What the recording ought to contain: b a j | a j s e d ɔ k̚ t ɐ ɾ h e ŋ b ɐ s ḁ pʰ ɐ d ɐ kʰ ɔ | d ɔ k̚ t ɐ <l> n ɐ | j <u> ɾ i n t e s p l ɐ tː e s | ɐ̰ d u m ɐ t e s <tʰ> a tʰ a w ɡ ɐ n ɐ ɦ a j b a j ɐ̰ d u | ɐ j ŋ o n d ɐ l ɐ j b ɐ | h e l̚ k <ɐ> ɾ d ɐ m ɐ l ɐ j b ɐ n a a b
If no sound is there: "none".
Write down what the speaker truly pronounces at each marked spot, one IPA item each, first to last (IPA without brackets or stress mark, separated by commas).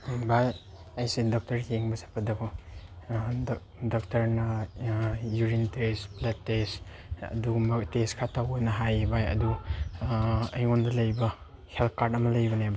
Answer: ɾ, u, kʰ, a